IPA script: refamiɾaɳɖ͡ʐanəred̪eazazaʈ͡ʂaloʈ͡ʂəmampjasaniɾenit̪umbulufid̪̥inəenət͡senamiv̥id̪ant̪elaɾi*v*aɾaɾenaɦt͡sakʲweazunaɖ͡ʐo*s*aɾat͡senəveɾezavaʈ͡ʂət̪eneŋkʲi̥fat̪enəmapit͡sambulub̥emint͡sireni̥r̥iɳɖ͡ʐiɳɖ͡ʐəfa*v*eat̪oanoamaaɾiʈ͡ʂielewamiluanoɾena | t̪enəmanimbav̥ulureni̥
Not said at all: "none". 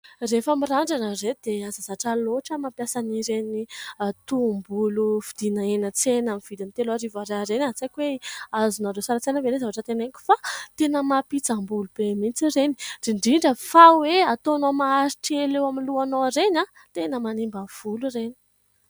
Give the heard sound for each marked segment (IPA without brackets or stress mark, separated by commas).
v, s, w